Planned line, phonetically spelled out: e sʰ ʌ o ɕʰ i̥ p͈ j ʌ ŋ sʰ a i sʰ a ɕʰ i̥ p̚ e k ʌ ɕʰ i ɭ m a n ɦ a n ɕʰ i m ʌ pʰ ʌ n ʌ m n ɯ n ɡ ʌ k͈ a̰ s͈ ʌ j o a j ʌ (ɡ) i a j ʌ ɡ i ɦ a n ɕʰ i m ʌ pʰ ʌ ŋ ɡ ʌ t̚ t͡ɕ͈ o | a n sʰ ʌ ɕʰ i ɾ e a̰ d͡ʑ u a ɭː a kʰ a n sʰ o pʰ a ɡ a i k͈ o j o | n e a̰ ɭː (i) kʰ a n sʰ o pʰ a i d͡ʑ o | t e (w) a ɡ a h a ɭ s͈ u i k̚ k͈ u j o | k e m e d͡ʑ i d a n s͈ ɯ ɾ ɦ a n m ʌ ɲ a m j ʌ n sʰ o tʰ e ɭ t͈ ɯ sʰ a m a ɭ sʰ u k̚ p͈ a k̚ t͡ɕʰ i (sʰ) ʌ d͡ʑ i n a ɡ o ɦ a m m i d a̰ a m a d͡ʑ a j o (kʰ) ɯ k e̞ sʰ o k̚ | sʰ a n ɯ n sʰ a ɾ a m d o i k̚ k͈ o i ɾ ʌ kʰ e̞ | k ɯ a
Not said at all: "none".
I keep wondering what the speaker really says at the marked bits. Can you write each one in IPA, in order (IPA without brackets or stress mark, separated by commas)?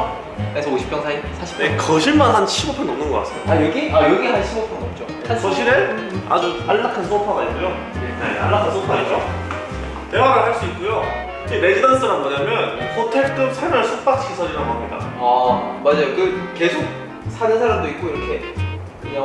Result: ɡ, a, w, sʰ, k